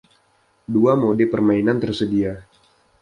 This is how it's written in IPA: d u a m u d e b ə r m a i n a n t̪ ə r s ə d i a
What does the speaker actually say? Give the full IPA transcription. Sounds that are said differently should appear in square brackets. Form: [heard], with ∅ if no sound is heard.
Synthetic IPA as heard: d u a m [o] d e [p] ə r m a i n a n t̪ ə r s ə d i a